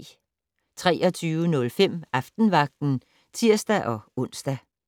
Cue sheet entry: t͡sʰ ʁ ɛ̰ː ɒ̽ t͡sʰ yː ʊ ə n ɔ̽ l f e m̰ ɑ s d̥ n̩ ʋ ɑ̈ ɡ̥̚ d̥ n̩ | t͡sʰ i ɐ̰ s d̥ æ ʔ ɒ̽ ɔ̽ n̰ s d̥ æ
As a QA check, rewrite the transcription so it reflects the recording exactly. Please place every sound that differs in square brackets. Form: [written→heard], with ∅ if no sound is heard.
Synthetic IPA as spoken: t͡sʰ ʁ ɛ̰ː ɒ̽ t͡sʰ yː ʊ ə n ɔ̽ l f e m̰ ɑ [s→f] d̥ n̩ ʋ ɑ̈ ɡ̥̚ d̥ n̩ | t͡sʰ i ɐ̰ s d̥ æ ʔ ɒ̽ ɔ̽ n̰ s d̥ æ